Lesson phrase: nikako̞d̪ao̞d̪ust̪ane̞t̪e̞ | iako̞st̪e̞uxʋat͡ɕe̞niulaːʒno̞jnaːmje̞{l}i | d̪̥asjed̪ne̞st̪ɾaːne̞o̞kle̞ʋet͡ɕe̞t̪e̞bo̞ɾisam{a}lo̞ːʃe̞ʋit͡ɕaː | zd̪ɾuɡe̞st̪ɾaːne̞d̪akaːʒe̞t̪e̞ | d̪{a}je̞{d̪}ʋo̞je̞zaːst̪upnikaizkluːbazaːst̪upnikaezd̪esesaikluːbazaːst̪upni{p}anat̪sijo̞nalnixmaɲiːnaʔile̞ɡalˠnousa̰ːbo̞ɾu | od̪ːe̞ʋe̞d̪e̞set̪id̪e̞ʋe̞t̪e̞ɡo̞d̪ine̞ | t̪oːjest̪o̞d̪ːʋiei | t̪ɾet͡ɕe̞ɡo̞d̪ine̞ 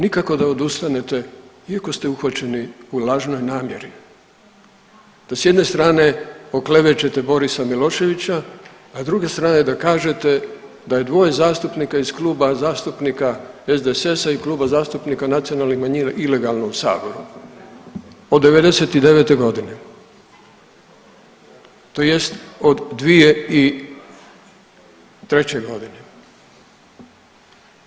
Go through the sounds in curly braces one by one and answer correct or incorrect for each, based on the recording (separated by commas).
incorrect, incorrect, correct, correct, incorrect